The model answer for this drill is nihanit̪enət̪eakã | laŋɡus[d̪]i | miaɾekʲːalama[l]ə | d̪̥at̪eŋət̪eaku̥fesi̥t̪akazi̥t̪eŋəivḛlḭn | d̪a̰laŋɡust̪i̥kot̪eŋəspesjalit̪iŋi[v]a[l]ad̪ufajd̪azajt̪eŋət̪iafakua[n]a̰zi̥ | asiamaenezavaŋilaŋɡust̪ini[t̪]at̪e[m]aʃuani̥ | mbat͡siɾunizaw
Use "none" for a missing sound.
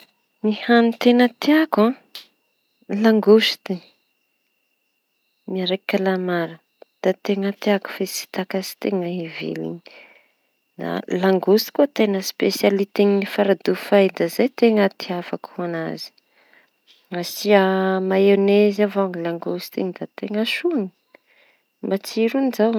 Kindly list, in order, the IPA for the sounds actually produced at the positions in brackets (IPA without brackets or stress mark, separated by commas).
t̪, ɾ, f, ɾ, n, d̪, ŋ